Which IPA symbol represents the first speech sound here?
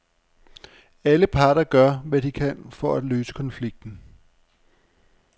æ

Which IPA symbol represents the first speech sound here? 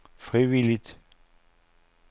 f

